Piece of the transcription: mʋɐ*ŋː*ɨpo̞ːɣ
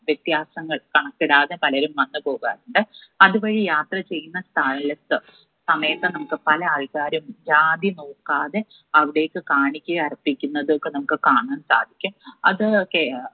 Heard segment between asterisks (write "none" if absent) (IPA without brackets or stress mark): nː